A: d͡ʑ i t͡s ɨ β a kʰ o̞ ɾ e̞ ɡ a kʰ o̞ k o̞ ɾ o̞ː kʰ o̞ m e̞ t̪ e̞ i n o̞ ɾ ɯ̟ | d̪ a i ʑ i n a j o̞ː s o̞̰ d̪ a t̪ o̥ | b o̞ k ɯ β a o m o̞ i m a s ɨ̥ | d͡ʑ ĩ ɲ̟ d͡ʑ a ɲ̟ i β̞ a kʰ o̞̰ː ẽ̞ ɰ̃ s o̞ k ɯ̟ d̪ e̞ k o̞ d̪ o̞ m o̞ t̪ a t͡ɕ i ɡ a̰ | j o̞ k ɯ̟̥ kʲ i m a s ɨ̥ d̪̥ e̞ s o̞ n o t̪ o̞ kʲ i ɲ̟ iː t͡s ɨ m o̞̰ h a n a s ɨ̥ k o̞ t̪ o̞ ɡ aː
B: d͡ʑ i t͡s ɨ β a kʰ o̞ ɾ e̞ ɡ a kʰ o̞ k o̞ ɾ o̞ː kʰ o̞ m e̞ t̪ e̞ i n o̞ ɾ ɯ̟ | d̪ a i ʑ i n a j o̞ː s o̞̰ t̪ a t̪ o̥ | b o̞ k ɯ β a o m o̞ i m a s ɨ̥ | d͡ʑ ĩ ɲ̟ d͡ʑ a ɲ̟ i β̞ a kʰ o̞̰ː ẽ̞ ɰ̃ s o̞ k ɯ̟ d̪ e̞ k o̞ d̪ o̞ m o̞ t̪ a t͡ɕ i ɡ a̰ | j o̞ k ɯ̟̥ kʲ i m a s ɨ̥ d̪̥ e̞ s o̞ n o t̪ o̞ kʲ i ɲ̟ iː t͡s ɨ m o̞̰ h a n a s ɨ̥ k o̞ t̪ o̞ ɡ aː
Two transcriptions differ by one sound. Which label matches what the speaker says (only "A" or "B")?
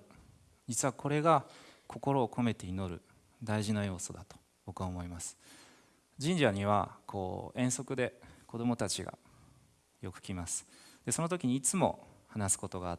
A